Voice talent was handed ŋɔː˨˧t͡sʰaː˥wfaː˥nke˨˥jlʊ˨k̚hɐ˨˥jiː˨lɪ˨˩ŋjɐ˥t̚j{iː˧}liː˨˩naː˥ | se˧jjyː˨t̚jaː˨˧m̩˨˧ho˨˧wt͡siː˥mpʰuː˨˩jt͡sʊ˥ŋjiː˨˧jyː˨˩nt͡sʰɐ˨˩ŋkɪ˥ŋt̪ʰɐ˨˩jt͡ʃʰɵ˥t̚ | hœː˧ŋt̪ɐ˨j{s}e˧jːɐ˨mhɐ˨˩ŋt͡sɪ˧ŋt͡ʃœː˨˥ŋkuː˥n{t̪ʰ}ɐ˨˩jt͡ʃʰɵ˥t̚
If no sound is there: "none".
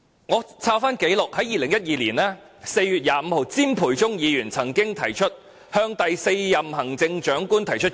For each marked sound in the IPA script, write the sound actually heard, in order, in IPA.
iː˧, s, t̪ʰ

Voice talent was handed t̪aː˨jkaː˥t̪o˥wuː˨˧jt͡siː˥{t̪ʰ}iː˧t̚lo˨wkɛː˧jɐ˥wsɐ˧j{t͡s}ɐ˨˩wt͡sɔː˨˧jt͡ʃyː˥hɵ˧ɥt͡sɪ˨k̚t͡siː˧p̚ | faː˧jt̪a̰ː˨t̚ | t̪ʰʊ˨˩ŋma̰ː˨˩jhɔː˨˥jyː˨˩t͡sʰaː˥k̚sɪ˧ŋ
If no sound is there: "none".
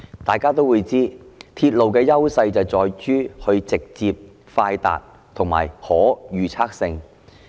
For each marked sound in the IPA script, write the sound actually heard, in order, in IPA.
t̪ʰ, t͡s

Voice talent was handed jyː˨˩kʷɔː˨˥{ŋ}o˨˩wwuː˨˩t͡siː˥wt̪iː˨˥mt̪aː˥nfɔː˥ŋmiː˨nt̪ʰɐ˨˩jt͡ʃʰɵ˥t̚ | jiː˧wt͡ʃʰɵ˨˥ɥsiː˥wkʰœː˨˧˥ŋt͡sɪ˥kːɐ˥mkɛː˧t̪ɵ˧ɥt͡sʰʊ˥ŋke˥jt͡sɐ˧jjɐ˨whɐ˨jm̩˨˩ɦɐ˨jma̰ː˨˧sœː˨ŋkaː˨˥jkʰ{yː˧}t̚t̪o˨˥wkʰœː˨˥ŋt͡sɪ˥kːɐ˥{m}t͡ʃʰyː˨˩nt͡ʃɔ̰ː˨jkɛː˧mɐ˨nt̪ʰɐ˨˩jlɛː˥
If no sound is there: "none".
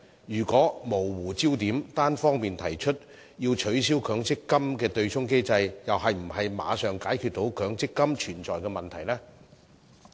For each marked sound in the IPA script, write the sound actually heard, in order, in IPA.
m, y˧, m

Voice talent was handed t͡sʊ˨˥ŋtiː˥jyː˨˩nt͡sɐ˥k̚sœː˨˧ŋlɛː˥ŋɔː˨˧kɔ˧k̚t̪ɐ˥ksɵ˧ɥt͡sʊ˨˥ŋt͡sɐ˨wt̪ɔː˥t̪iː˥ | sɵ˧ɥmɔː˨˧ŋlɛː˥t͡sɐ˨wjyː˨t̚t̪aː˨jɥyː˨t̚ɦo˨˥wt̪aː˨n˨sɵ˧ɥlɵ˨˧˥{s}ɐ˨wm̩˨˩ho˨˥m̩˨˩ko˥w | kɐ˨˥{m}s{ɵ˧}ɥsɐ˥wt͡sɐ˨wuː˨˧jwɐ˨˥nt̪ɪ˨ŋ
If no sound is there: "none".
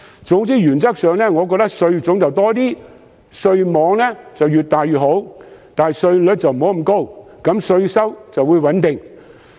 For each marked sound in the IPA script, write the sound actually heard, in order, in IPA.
t͡s, m, ɵ˧

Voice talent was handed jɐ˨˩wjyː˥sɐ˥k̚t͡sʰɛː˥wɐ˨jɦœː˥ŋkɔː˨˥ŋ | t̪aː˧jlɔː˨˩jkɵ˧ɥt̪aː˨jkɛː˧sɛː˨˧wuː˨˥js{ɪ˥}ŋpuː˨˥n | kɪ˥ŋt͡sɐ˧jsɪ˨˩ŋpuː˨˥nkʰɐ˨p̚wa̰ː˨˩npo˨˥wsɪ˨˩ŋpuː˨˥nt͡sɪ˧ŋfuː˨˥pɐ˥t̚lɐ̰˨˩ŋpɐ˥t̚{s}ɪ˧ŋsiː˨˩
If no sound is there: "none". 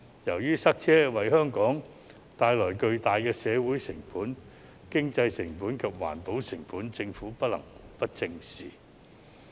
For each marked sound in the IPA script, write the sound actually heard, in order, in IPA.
ɪ˨˩, t͡s

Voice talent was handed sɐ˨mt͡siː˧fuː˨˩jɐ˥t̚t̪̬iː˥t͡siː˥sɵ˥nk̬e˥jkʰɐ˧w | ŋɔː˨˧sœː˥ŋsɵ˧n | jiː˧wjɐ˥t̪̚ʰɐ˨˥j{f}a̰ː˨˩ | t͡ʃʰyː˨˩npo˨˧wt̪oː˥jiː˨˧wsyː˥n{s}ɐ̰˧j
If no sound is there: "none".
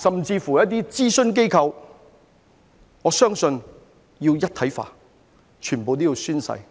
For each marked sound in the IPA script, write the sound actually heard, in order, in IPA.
f, s

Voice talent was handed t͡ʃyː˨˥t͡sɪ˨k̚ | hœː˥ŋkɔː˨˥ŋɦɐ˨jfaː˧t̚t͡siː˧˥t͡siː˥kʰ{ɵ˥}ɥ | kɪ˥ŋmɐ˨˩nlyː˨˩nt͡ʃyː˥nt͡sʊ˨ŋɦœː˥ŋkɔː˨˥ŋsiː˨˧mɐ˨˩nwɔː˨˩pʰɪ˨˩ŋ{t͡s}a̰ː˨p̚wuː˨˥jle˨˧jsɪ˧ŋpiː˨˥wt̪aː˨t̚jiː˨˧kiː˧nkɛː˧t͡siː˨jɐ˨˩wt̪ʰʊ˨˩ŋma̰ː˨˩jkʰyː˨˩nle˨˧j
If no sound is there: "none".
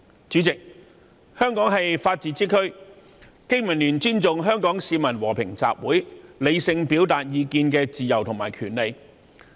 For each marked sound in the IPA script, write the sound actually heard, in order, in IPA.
ɵ˥, t͡s

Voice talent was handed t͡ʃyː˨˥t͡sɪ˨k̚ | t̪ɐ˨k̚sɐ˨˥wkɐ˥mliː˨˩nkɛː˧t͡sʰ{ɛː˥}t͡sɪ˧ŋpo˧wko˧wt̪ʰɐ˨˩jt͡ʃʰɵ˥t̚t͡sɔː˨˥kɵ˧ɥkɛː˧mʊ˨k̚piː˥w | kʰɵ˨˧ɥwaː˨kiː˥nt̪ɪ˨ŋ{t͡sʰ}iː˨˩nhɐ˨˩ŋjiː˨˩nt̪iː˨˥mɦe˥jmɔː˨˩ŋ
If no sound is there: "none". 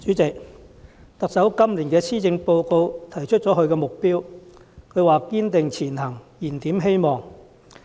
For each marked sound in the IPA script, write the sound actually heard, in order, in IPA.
iː˥, t͡sʰ

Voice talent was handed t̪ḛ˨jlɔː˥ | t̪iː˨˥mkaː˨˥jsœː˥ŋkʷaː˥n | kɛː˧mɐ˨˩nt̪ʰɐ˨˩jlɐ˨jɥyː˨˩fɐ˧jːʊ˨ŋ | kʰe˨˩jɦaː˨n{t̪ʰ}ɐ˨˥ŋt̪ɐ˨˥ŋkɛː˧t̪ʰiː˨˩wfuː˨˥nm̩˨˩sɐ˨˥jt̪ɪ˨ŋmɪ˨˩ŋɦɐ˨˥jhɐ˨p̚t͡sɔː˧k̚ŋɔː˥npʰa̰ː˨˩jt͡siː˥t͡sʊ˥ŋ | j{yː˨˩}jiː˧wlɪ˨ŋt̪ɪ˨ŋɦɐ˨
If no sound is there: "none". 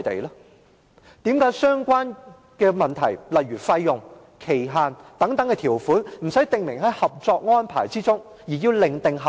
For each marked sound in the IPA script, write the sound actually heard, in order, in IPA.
t̪, iː˨˩

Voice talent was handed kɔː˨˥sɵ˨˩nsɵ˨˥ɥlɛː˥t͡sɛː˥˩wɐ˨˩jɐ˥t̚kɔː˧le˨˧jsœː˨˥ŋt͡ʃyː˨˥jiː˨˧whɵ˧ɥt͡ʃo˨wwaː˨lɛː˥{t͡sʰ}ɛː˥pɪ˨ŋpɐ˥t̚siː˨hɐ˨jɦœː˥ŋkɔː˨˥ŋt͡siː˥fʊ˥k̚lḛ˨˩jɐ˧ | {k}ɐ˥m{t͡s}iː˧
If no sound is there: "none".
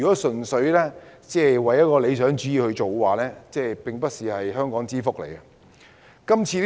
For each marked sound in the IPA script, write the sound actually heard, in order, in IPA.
t͡s, k, t͡sʰ

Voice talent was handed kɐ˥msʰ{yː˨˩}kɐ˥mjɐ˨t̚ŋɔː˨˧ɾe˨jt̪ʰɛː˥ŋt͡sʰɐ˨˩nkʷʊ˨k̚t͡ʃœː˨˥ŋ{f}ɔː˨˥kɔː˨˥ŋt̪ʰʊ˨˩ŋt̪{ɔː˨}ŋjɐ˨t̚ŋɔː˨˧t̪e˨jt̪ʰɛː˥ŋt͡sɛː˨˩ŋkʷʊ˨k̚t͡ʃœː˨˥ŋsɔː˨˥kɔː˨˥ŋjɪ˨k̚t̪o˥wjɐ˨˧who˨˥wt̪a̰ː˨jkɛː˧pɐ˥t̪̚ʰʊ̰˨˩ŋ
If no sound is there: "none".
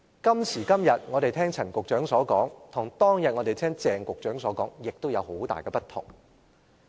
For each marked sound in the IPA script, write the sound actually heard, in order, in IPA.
iː˨˩, s, ɔː˥

